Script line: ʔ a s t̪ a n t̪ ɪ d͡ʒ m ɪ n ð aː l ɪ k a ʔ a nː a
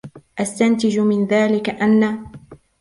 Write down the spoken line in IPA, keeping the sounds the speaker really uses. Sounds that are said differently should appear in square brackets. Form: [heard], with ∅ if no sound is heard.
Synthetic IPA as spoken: ʔ a s t̪ a n t̪ ɪ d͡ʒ m ɪ n ð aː l ɪ k a ʔ a nː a